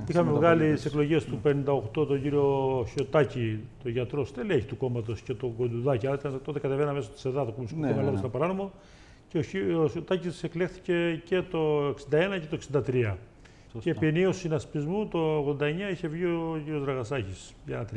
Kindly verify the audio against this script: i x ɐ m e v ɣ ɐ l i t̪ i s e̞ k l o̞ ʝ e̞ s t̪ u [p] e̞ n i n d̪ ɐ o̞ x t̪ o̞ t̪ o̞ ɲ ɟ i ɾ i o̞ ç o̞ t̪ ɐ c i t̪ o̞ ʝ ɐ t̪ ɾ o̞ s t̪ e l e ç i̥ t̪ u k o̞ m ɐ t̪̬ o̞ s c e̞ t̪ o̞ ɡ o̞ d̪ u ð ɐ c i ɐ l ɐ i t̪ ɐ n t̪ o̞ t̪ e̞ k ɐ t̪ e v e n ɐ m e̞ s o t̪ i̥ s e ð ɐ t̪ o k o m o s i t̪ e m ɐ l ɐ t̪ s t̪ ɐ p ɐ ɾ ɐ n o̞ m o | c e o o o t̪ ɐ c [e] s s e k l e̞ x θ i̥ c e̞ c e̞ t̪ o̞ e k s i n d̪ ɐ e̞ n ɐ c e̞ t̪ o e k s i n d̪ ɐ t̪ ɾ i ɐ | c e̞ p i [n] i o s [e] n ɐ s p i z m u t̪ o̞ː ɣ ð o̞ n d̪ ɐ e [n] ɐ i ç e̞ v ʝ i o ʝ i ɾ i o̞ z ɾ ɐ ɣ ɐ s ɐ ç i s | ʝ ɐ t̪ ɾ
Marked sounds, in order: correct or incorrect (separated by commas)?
correct, incorrect, correct, incorrect, incorrect